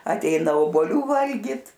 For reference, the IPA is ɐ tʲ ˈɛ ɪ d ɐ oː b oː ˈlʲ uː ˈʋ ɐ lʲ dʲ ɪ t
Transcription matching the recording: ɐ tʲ ˈɛ ɪ n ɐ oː b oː ˈlʲ uː ˈʋ ɐ lʲ ɡʲ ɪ t